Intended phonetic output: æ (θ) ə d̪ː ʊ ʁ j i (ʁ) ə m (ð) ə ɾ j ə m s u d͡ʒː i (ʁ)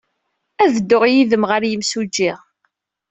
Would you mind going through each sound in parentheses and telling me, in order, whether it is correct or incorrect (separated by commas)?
incorrect, incorrect, incorrect, correct